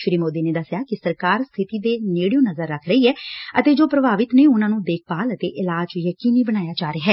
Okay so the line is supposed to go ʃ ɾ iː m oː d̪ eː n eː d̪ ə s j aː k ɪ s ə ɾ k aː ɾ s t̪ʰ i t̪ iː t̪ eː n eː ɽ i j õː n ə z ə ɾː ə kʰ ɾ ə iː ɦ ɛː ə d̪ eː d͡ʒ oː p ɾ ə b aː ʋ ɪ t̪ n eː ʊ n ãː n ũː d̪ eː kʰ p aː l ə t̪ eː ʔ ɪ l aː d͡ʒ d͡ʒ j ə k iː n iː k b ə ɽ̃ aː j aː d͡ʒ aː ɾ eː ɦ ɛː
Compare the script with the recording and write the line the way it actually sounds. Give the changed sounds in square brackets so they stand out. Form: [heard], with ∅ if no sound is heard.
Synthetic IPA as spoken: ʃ ɾ iː m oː d̪ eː n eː d̪ ə s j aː k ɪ s ə ɾ k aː ɾ s t̪ʰ [ɪ] t̪ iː [d̪] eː n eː ɽ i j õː n ə z ə ɾː ə kʰ ɾ ə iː ɦ ɛː ə [t̪] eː d͡ʒ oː p ɾ ə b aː ʋ ɪ t̪ n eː ʊ n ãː n ũː d̪ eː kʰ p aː l ə t̪ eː ʔ ɪ l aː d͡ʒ d͡ʒ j ə k iː n iː [∅] b ə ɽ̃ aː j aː d͡ʒ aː ɾ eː ɦ ɛː